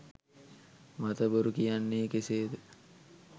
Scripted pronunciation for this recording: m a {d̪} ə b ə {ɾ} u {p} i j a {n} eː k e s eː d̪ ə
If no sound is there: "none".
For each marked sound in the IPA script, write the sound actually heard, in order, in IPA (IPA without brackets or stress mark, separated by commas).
t̪, ɾ, k, nː